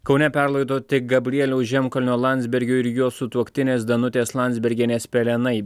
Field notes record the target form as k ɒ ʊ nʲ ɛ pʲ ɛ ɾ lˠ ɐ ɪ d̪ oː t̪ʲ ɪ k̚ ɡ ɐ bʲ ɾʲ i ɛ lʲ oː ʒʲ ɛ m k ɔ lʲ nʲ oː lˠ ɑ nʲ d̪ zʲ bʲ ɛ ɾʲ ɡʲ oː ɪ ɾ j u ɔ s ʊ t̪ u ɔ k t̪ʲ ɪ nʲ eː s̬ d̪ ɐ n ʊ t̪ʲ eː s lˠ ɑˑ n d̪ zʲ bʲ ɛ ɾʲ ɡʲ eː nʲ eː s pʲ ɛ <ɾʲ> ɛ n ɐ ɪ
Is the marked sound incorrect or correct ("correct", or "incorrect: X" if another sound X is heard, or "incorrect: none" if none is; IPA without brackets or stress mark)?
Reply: incorrect: lʲ